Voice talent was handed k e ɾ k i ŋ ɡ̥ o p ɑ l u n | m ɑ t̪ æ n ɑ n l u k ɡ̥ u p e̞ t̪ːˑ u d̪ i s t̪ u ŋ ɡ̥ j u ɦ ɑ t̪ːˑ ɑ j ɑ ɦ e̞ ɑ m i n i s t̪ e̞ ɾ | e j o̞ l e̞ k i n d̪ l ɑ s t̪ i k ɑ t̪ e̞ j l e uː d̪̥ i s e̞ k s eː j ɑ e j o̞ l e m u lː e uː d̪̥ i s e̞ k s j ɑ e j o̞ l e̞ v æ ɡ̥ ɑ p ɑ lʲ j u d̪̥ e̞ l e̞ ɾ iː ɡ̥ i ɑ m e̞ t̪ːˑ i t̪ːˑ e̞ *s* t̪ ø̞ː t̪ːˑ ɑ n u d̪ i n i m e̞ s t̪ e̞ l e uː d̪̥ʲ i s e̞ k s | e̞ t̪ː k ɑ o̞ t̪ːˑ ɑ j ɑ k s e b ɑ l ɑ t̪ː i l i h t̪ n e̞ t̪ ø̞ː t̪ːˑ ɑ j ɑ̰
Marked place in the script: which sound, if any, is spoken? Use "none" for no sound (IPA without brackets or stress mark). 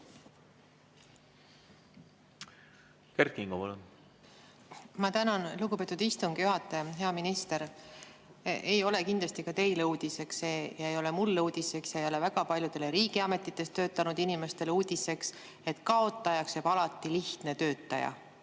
s